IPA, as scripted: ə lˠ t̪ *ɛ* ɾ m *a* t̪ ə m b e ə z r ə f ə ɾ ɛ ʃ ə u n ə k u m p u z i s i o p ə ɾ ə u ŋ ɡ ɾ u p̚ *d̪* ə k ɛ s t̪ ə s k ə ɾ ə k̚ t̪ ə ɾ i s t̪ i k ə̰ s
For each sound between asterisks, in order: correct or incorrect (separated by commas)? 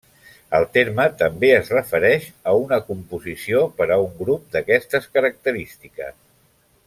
incorrect, incorrect, correct